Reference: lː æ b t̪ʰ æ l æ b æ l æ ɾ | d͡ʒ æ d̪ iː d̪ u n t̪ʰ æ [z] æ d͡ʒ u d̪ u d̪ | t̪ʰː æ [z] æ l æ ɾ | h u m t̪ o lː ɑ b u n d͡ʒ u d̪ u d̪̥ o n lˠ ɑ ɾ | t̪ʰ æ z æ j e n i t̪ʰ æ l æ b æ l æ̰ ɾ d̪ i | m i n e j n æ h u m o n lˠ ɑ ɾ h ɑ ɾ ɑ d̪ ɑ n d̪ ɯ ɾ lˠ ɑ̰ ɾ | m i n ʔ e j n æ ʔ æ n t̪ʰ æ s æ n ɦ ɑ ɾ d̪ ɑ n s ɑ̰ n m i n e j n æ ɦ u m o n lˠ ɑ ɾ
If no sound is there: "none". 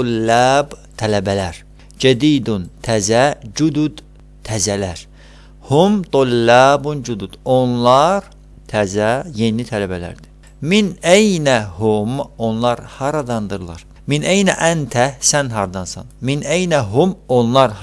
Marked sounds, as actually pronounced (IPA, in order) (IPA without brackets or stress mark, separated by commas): z, z